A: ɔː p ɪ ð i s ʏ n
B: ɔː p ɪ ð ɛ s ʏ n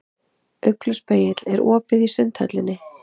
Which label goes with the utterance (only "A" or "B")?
A